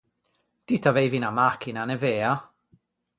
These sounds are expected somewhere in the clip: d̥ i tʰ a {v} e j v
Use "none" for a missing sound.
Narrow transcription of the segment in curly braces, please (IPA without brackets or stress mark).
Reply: v